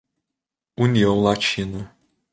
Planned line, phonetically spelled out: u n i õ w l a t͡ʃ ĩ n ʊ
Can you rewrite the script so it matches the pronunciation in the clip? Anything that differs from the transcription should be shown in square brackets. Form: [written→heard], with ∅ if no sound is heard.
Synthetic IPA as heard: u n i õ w l a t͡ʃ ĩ n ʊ